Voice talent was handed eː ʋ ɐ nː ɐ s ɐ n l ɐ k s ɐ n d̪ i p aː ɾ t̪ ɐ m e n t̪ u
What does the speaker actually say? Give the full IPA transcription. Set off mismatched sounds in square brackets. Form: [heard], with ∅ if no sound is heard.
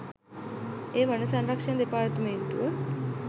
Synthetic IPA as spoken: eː ʋ ɐ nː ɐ s ɐ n [ɾ] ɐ k [ʂ] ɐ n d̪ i p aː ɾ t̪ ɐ m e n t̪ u